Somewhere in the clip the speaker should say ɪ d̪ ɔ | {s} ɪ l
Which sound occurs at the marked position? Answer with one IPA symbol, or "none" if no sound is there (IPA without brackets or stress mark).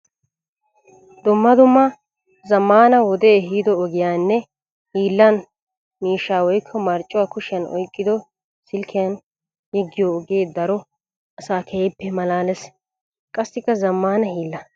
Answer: s